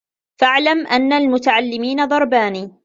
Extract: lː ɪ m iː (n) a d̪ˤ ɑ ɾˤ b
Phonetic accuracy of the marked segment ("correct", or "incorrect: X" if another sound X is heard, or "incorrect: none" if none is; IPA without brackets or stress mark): correct